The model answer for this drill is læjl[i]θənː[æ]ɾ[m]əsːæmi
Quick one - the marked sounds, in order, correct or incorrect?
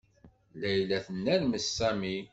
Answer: incorrect, correct, correct

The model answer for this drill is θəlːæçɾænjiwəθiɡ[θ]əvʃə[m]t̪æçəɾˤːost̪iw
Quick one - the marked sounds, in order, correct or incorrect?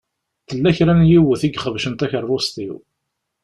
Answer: incorrect, incorrect

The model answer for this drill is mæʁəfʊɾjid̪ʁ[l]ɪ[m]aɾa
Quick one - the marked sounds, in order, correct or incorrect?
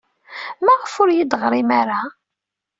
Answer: incorrect, correct

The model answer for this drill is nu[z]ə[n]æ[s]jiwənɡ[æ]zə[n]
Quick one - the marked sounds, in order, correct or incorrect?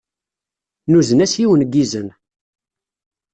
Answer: correct, correct, correct, incorrect, correct

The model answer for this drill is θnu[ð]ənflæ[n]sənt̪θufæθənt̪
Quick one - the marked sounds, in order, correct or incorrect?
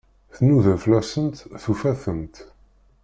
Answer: correct, incorrect

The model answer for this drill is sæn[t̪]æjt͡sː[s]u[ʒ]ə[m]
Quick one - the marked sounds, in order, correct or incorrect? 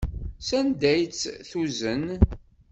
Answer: incorrect, incorrect, incorrect, incorrect

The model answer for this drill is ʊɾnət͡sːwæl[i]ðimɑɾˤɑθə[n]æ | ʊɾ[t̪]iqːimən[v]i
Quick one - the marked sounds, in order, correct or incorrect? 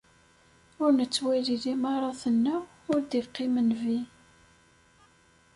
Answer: correct, incorrect, incorrect, correct

